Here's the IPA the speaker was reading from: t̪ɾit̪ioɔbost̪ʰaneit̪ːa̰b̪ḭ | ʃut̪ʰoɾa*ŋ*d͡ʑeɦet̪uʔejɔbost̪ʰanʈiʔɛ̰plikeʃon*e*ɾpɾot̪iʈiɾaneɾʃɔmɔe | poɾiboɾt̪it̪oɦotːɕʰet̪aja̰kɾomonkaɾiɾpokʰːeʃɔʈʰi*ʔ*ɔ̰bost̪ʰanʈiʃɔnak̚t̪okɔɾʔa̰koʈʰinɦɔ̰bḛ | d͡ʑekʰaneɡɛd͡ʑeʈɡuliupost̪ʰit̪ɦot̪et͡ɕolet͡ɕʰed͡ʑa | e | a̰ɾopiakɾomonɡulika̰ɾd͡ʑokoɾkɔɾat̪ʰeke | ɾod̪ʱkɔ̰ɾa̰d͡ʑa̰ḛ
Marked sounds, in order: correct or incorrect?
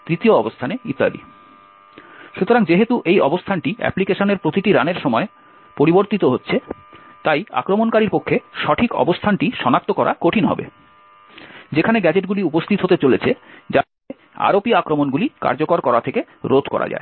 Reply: correct, correct, incorrect

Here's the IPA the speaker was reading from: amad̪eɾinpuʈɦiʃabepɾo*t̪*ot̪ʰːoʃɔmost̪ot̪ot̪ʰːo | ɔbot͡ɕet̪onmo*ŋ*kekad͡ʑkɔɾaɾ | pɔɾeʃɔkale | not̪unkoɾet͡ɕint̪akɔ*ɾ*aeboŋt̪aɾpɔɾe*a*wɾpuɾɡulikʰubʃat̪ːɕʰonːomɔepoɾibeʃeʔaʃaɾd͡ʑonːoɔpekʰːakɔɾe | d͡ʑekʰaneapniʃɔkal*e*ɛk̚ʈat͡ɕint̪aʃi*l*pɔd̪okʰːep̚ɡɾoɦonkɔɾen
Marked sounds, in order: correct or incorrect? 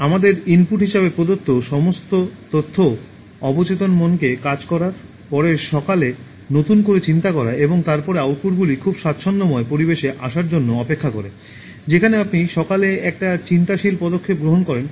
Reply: incorrect, incorrect, correct, correct, correct, correct

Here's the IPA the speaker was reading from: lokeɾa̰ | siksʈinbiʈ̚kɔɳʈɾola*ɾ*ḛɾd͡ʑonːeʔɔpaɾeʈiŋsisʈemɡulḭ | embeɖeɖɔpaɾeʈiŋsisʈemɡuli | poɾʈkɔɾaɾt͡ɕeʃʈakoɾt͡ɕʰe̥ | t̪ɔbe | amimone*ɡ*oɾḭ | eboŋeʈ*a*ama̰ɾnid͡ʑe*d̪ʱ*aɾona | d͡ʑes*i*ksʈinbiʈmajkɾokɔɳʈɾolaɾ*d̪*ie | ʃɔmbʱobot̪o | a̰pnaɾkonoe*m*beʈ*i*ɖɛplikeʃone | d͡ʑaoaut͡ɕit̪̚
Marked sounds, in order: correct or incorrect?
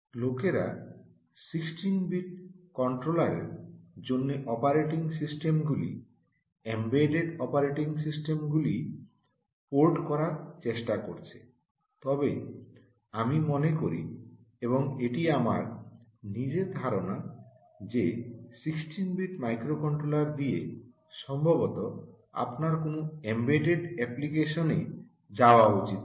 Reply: correct, incorrect, incorrect, correct, correct, correct, correct, incorrect

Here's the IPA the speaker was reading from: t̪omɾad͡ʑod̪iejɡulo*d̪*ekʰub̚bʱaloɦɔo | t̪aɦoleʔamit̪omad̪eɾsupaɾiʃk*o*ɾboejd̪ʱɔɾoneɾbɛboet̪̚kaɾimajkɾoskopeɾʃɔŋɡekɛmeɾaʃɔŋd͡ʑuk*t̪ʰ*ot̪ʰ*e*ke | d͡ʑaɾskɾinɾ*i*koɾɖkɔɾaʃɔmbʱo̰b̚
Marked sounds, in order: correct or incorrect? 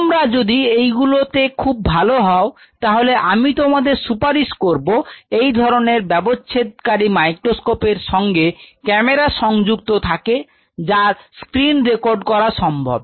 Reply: incorrect, correct, incorrect, incorrect, incorrect

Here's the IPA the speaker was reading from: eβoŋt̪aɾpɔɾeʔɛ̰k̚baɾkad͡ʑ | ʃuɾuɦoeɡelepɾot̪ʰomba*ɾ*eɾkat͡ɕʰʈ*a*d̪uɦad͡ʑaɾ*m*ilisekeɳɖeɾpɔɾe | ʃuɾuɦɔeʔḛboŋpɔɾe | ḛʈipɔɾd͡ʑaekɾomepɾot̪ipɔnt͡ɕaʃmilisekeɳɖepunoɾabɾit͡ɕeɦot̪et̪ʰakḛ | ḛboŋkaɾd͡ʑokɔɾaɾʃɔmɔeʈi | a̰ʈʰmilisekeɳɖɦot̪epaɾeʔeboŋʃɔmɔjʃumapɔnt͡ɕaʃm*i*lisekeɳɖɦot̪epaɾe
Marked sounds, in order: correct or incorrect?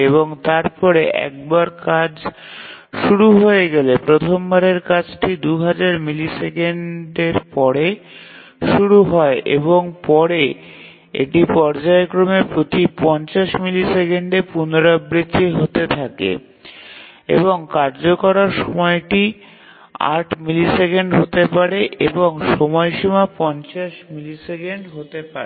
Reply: correct, incorrect, correct, correct

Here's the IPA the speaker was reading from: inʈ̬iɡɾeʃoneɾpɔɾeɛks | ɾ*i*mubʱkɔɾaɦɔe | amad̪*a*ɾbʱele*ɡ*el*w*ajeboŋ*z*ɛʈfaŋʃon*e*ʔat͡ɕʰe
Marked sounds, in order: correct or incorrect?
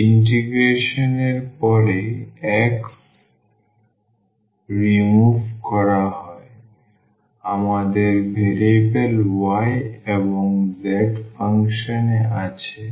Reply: correct, incorrect, incorrect, correct, correct, correct

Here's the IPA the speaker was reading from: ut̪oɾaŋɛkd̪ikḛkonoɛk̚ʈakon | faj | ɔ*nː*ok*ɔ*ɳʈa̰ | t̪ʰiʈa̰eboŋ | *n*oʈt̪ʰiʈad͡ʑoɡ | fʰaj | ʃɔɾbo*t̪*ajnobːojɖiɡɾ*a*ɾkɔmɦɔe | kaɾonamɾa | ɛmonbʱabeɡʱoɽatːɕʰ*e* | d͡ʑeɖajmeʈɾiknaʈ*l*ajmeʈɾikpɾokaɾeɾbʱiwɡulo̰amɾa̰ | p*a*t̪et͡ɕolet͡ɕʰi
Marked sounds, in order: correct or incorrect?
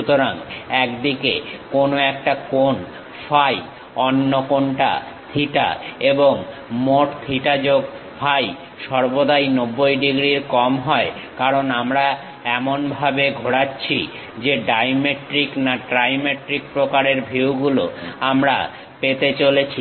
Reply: correct, incorrect, incorrect, incorrect, incorrect, incorrect, incorrect, incorrect

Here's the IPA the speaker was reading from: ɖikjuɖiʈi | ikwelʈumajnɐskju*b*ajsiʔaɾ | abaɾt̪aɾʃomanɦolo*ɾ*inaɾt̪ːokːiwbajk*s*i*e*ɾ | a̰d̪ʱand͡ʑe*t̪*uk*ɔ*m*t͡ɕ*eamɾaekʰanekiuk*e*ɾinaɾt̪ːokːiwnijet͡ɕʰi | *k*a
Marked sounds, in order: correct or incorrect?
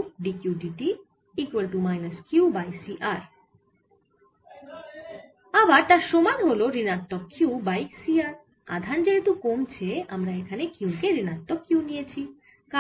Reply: correct, correct, correct, incorrect, correct, incorrect, incorrect, correct, correct

